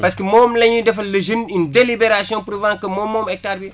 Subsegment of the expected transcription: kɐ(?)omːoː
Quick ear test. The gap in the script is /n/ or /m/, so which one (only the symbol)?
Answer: m